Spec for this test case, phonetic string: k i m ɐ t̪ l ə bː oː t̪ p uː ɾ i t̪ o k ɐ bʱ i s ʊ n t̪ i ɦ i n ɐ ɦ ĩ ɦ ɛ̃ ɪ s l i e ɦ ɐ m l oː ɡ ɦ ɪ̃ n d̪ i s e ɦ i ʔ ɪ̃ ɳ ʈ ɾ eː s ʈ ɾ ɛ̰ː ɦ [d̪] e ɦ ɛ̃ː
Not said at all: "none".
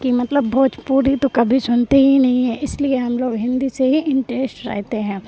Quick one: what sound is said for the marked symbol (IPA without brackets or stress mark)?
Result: t̪